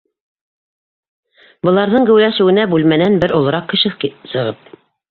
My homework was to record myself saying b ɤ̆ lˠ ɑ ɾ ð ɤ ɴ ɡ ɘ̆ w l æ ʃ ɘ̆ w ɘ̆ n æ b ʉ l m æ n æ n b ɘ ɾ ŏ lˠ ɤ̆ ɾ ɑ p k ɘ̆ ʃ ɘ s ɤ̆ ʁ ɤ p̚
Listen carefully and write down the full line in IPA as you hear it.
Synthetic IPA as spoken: b ɤ̆ lˠ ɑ ɾ ð ɤ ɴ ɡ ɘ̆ w l æ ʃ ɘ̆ w ɘ̆ n æ b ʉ l m æ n æ n b ɘ ɾ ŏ lˠ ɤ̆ ɾ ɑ q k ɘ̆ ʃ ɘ s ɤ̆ ʁ ɤ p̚